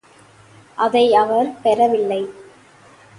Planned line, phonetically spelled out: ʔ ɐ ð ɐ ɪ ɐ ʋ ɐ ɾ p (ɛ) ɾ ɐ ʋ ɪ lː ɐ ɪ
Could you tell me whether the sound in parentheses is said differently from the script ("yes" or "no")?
no